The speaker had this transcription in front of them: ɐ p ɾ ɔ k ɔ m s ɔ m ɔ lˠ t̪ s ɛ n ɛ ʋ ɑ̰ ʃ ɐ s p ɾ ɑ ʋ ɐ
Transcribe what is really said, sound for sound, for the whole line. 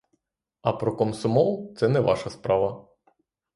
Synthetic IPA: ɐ p ɾ ɔ k ɔ m s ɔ m ɔ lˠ t̪ s ɛ n ɛ ʋ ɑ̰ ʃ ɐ s p ɾ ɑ ʋ ɐ